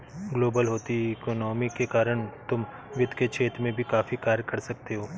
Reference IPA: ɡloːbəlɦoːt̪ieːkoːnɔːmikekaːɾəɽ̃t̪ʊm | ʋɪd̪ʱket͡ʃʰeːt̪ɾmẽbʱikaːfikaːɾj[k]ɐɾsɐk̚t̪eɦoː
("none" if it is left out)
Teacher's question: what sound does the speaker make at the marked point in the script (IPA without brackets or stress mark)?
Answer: k